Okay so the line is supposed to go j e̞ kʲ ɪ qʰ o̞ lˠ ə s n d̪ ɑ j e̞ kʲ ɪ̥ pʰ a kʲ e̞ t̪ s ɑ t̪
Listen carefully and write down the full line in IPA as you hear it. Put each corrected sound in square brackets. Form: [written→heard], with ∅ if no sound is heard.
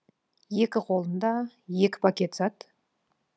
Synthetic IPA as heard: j e̞ kʲ ɪ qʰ o̞ lˠ ə [s→∅] n d̪ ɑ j e̞ kʲ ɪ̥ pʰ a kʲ e̞ t̪ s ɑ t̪